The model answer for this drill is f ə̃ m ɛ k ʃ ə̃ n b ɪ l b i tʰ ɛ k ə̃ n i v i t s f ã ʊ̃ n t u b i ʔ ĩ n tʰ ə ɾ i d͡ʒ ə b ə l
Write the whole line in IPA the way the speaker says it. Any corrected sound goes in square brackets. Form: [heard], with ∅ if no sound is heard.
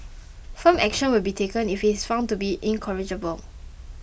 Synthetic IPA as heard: f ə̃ m ɛ k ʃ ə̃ n [w] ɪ l b i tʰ [e] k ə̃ n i [f] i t s f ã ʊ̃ n t u b i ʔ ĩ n [kʰ] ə [ɹ] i d͡ʒ ə b ə l